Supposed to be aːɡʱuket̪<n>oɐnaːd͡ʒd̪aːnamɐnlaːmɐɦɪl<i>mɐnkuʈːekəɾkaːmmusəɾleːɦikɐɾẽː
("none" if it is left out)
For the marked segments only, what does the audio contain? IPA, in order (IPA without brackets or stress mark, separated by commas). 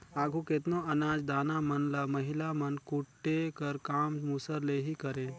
n, a